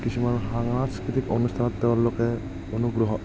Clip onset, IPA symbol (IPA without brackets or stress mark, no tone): k